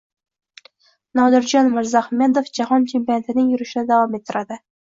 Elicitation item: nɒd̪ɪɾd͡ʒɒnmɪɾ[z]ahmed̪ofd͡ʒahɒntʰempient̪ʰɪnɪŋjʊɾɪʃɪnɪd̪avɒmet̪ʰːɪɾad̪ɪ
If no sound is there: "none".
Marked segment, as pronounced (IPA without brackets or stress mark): z